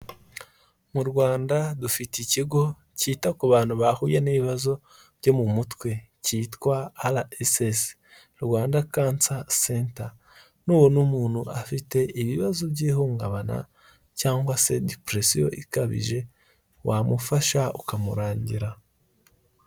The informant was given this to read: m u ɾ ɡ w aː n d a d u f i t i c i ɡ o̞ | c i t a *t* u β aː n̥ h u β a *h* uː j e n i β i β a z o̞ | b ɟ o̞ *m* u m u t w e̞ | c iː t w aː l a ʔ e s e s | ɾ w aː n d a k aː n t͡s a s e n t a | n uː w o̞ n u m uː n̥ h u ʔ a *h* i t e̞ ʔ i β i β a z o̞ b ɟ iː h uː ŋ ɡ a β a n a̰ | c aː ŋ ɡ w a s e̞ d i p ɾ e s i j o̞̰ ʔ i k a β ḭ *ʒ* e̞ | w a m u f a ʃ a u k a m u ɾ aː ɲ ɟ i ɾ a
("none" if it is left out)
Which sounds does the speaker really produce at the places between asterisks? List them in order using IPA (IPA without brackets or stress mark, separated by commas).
k, h, m, f, ʒ